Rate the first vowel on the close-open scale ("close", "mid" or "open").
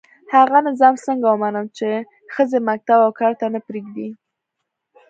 open